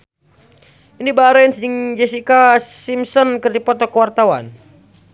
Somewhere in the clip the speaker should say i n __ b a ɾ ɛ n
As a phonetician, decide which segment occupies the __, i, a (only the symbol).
i